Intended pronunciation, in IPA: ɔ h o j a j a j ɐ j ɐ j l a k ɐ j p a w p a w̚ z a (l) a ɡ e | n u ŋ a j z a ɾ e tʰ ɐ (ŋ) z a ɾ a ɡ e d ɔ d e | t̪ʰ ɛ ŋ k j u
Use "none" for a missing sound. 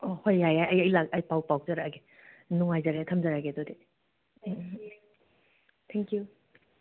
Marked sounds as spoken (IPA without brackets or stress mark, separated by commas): ɾ, m